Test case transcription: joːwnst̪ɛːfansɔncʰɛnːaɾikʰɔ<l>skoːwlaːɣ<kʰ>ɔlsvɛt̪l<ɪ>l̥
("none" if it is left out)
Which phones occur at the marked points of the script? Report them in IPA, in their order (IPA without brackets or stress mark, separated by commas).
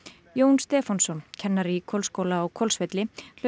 l, kʰ, ɪ